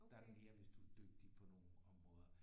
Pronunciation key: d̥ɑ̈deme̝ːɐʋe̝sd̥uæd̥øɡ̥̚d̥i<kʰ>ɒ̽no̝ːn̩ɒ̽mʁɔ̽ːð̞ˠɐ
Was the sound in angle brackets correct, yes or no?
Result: no